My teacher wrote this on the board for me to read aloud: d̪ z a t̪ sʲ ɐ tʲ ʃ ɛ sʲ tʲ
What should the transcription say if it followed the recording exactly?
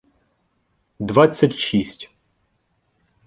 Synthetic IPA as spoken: d̪ v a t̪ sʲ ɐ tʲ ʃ i sʲ tʲ